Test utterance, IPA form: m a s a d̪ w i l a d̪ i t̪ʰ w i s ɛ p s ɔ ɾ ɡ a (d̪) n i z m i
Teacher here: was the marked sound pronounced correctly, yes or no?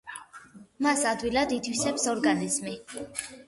no